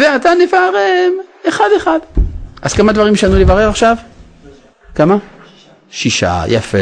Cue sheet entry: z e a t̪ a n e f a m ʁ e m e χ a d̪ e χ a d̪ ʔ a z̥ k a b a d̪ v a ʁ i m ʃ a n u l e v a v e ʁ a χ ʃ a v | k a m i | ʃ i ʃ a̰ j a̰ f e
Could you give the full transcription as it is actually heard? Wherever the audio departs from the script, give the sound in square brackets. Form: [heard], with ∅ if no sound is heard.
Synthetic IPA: [v] e a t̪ a n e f a [∅] ʁ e m e χ a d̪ e χ a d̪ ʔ a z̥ k a [m] a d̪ v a ʁ i m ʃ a n u l e v a [ʁ] e ʁ a χ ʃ a v | k a m [a] | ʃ i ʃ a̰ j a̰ f e